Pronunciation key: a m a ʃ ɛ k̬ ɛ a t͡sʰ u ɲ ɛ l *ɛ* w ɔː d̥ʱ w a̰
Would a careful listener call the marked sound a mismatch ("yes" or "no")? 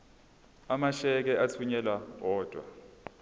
yes